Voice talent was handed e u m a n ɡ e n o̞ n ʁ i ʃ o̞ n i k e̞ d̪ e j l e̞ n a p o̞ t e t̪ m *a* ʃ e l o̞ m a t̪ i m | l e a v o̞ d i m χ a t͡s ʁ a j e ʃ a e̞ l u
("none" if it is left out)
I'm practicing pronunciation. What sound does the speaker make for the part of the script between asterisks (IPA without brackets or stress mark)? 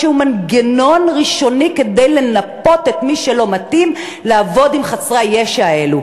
i